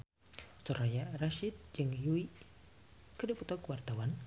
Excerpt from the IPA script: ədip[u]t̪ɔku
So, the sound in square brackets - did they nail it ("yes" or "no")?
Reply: yes